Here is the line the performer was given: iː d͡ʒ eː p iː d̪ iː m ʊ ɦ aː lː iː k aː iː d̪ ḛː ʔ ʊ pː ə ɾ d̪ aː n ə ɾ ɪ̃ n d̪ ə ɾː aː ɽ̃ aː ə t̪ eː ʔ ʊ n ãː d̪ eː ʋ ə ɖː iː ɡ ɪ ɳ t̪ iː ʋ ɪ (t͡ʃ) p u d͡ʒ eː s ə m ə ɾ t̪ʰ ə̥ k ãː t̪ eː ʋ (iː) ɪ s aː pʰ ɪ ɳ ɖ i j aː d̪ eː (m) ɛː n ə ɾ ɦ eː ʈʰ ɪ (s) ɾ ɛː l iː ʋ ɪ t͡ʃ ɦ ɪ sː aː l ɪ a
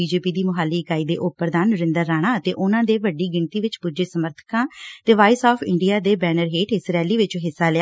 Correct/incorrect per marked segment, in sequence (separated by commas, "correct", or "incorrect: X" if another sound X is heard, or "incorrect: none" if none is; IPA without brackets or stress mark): correct, incorrect: aː, incorrect: b, correct